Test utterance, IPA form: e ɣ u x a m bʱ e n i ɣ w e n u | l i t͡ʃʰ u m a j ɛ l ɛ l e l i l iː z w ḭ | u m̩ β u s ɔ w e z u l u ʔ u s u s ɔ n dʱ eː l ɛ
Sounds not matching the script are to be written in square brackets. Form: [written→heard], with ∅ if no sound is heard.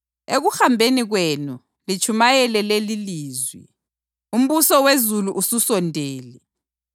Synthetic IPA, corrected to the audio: e ɣ u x a m bʱ e n i ɣ w e n u | l i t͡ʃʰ u m a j ɛ l ɛ l e l i l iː z w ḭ | u m̩ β u s ɔ w e z u l u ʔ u s u s ɔ n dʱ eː l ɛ

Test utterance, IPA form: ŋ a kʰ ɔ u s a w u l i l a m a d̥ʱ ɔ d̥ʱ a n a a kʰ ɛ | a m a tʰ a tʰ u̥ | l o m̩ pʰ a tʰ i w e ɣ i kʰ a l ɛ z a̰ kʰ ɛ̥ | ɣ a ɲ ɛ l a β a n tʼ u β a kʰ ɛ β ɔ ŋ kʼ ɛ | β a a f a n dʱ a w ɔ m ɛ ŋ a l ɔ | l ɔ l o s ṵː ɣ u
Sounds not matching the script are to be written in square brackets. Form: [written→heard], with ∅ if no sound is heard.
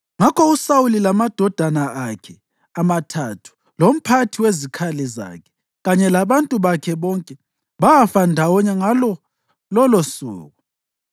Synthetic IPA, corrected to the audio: ŋ a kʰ ɔ u s a w u l i l a m a d̥ʱ ɔ d̥ʱ a n a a kʰ ɛ | a m a tʰ a tʰ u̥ | l o m̩ pʰ a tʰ i w e [ɣ→z] i kʰ a l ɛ z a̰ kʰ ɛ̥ | ɣ a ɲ ɛ l a β a n tʼ u β a kʰ ɛ β ɔ ŋ kʼ ɛ | β a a f a n dʱ a w ɔ [m→ɲ] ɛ ŋ a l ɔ | l ɔ l o s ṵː ɣ u

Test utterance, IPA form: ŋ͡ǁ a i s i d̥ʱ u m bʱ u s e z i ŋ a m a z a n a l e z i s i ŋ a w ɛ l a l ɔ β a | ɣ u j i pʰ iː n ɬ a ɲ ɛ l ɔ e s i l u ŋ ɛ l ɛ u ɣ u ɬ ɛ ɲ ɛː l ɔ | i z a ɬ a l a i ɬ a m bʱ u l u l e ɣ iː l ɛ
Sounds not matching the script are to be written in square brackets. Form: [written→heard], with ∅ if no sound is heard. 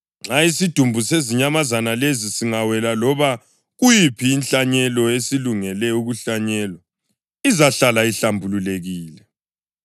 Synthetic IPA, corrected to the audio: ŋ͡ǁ a i s i d̥ʱ u m bʱ u s e z i [ŋ→ɲ] a m a z a n a l e z i s i ŋ a w ɛ l a l ɔ β a | ɣ u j i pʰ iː n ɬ a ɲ ɛ l ɔ e s i l u ŋ ɛ l ɛ u ɣ u ɬ [ɛ→a] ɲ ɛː l ɔ | i z a ɬ a l a i ɬ a m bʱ u l u l e ɣ iː l ɛ

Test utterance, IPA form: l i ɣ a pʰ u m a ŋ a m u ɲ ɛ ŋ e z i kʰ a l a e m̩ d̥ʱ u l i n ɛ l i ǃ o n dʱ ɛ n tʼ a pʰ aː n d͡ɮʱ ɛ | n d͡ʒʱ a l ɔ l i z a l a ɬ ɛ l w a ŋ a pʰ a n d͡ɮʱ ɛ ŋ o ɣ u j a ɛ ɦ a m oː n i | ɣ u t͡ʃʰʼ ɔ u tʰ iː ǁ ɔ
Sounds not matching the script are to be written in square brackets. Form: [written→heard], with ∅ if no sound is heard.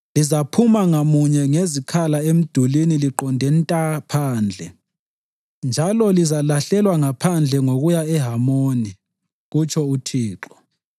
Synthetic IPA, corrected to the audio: l i [ɣ→z] a pʰ u m a ŋ a m u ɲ ɛ ŋ e z i kʰ a l a e m̩ d̥ʱ u l i n [ɛ→i] l i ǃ [o→ɔ] n dʱ ɛ n tʼ a pʰ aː n d͡ɮʱ ɛ | n d͡ʒʱ a l ɔ l i z a l a ɬ ɛ l w a ŋ a pʰ a n d͡ɮʱ ɛ ŋ o ɣ u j a ɛ ɦ a m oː n i | ɣ u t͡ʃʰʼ ɔ u tʰ iː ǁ ɔ

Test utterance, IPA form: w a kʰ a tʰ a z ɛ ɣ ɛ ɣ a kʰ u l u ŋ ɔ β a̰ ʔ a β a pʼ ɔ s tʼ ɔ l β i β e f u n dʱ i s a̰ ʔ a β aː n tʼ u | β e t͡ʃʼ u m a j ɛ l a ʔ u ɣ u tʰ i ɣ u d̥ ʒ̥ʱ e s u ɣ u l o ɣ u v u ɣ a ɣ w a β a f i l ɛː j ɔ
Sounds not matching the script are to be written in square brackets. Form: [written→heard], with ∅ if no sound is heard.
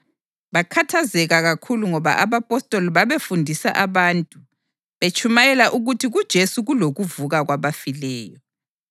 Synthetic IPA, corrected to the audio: [w→β] a kʰ a tʰ a z ɛ ɣ [ɛ→a] ɣ a kʰ u l u ŋ ɔ β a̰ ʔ a β a pʼ ɔ s tʼ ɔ l β [i→a] β e f u n dʱ i s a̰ ʔ a β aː n tʼ u | β e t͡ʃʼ u m a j ɛ l a ʔ u ɣ u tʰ i ɣ u d̥ ʒ̥ʱ e s u ɣ u l o ɣ u v u ɣ a ɣ w a β a f i l ɛː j ɔ

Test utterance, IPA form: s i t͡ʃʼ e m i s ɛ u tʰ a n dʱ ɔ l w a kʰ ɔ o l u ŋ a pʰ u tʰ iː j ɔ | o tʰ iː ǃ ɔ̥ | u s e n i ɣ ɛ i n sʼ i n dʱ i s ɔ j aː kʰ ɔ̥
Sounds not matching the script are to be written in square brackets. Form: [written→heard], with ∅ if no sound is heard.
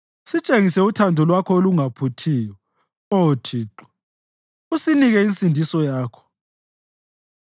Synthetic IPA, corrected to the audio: s i t͡ʃʼ e [m→ŋ] i s ɛ u tʰ a n dʱ ɔ l w a kʰ ɔ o l u ŋ a pʰ u tʰ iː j ɔ | o tʰ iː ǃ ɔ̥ | u s [e→i] n i ɣ ɛ i n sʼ i n dʱ i s ɔ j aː kʰ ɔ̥

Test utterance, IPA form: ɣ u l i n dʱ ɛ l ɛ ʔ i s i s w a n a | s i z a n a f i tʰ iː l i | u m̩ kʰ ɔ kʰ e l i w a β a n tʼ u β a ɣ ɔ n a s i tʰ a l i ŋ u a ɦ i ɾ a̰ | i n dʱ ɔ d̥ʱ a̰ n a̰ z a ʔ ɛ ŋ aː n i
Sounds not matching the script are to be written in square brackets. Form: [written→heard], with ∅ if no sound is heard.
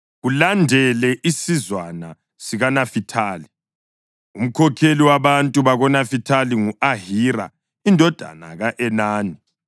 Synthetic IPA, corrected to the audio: ɣ u l [i→a] n dʱ ɛ l ɛ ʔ i s i [s→z] w a n a | s i [z→ɣ] a n a f i tʰ [iː→aː] l i | u m̩ kʰ ɔ kʰ e l i w a β a n tʼ u β a ɣ ɔ n a [s→f] i tʰ a l i ŋ u a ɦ i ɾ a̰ | i n dʱ ɔ d̥ʱ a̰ n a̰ [z→ɣ] a ʔ ɛ [ŋ→n] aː n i

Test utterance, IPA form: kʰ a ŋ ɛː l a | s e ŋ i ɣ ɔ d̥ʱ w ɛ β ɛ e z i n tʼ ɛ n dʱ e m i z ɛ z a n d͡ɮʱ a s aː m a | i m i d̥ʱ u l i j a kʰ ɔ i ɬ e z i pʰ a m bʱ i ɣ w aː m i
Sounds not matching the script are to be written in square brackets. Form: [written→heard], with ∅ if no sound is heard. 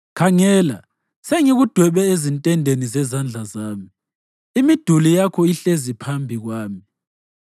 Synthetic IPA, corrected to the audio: kʰ a ŋ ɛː l a | s e ŋ i ɣ [ɔ→u] d̥ʱ w ɛ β ɛ e z i n tʼ ɛ n dʱ e [m→n] i z ɛ z a n d͡ɮʱ a [s→z] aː m [a→i] | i m i d̥ʱ u l i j a kʰ ɔ i ɬ e z i pʰ a m bʱ i ɣ w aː m i

